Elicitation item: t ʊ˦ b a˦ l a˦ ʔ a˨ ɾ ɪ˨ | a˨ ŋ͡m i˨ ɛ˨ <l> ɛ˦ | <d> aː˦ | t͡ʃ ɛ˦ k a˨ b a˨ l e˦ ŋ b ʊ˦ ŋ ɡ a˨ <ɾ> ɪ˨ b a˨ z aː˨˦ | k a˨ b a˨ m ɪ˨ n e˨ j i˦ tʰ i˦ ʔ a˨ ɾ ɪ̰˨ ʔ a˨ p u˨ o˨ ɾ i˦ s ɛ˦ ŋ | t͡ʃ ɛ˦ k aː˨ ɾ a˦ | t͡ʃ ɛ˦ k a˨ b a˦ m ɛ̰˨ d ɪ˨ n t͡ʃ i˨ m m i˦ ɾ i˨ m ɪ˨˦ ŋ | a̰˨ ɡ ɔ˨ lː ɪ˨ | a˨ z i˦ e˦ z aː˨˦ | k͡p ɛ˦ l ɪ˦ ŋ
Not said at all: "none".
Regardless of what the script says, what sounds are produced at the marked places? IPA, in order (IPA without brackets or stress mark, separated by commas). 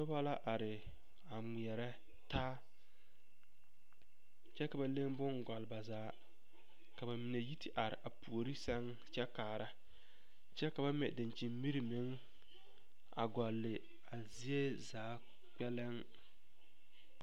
ɾ, t, l